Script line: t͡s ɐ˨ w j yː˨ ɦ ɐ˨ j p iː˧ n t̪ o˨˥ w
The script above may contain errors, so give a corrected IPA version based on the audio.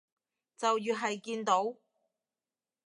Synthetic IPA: t͡s ɐ˨ w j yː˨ ɦ ɐ˨ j k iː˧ n t̪ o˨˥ w